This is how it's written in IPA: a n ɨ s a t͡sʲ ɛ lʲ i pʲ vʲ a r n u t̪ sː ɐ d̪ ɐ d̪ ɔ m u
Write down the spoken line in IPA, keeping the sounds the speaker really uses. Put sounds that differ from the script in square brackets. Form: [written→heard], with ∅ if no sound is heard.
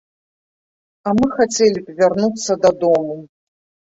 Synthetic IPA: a [n→m] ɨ [s→x] a t͡sʲ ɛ lʲ i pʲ vʲ a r n u t̪ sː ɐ d̪ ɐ d̪ ɔ m u